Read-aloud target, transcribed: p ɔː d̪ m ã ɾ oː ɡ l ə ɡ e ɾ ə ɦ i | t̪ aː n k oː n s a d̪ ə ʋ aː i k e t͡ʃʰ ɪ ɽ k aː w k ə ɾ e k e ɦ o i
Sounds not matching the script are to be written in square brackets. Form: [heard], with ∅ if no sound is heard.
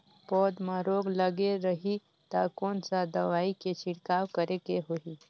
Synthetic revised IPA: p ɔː d̪ m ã ɾ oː ɡ l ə ɡ e ɾ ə ɦ i | t̪ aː [∅] k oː n s a d̪ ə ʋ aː i k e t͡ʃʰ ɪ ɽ k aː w k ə ɾ e k e ɦ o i